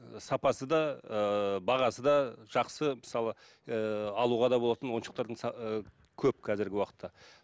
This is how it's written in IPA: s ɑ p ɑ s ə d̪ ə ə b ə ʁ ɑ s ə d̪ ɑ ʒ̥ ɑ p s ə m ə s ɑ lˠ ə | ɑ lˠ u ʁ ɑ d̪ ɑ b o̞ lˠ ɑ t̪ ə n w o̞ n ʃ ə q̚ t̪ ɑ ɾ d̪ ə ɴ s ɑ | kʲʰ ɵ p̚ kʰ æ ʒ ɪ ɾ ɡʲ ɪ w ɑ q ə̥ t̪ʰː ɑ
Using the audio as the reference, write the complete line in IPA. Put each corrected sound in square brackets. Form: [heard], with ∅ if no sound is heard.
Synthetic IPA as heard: s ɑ p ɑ s ə d̪ [ɑ] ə b [ɑ] ʁ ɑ s ə d̪ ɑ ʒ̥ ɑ [q] s ə m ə s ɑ lˠ ə | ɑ lˠ u ʁ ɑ d̪ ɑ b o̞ lˠ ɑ t̪ ə n w o̞ n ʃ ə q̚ t̪ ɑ ɾ d̪ ə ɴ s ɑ | kʲʰ ɵ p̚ kʰ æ [z] ɪ ɾ ɡʲ ɪ w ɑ q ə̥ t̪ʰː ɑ